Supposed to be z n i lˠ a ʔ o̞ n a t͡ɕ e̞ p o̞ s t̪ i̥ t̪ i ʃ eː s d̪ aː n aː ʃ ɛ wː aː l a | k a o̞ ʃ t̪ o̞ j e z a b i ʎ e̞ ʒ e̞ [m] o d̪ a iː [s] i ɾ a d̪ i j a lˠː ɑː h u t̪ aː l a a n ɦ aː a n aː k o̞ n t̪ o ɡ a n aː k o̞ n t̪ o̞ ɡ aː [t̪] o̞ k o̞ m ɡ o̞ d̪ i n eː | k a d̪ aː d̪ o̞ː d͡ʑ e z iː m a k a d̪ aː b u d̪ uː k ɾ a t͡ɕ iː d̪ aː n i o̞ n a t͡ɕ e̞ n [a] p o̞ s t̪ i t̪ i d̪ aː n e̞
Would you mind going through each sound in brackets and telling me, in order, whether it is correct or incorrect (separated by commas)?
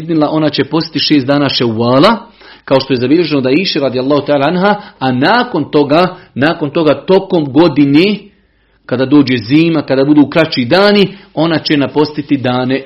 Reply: incorrect, incorrect, correct, correct